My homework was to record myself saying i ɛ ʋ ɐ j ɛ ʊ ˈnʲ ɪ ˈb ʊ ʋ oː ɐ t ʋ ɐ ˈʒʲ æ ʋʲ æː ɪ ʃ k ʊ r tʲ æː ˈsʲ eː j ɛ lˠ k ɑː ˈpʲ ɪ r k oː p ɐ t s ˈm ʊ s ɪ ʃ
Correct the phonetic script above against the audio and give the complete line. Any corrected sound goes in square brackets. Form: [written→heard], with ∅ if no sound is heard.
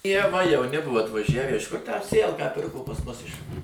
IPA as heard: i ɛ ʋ ɐ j ɛ ʊ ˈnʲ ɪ ˈb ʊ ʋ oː ɐ t ʋ ɐ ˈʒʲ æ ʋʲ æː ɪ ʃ k ʊ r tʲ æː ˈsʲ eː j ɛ lˠ k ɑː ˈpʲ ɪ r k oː p ɐ [t→∅] s ˈm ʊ s ɪ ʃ